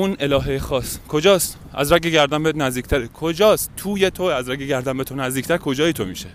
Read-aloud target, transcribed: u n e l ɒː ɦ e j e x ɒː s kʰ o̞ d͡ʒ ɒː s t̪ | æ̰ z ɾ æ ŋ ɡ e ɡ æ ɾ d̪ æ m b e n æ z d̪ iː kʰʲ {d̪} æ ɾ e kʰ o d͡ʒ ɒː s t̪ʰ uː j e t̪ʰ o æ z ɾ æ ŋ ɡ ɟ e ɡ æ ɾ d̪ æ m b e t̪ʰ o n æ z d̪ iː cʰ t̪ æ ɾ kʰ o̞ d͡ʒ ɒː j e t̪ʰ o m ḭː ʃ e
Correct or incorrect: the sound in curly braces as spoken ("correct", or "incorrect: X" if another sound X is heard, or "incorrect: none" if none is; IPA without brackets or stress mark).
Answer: incorrect: t̪